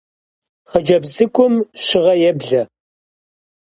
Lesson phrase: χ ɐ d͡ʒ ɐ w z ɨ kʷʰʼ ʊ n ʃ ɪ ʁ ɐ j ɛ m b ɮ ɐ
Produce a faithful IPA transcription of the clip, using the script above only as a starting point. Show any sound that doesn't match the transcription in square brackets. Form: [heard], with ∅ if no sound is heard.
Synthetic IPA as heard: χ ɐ d͡ʒ ɐ [b] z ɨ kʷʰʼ ʊ [m] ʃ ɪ ʁ ɐ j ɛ [∅] b ɮ ɐ